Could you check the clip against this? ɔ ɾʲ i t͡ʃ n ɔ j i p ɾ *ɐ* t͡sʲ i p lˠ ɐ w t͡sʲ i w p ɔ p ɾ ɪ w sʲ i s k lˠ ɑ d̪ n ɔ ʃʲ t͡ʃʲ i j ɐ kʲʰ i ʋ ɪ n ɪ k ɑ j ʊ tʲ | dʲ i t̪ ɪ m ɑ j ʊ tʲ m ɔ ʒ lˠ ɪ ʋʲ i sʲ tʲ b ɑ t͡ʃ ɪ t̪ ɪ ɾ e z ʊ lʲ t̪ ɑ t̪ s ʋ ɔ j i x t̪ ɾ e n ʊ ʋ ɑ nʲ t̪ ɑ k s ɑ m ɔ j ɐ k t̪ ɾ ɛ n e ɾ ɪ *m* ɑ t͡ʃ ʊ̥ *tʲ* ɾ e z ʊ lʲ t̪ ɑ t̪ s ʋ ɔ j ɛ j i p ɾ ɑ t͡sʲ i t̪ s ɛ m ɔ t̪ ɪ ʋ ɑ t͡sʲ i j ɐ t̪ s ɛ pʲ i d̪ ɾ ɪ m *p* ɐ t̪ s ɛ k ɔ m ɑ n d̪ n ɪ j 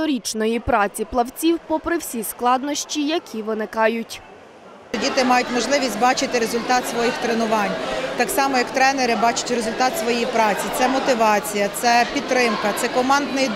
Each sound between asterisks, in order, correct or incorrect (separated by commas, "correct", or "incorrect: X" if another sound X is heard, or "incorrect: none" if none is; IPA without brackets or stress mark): incorrect: ɑ, incorrect: b, correct, incorrect: k